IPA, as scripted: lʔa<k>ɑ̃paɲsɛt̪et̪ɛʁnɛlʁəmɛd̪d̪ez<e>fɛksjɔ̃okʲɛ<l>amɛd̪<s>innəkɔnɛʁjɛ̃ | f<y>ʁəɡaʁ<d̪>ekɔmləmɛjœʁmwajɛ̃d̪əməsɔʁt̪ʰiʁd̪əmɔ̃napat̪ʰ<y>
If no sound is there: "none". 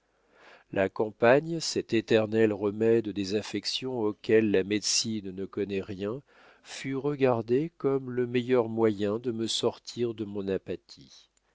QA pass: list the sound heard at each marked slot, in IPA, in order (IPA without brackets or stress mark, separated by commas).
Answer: k, a, lː, s, y, d̪, i